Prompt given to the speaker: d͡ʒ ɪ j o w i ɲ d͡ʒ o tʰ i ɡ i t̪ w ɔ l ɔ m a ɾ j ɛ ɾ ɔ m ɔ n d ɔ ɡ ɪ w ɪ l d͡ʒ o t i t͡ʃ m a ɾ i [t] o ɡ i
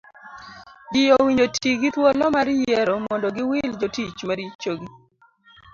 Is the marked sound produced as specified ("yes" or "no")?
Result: no